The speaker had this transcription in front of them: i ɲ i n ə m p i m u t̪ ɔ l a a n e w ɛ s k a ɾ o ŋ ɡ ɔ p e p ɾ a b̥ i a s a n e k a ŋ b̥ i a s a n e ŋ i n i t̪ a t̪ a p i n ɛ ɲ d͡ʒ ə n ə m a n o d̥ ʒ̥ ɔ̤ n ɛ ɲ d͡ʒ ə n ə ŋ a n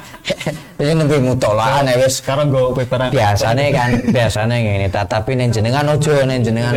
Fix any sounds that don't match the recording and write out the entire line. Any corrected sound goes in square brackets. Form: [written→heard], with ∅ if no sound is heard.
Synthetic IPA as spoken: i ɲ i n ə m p i m u t̪ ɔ l a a n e w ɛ s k a ɾ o ŋ ɡ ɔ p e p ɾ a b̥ i a s a n e k a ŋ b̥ i a s a n e ŋ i n i t̪ a t̪ a p i n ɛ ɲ d͡ʒ ə n ə [m→ŋ] a n o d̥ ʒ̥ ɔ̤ n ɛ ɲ d͡ʒ ə n ə ŋ a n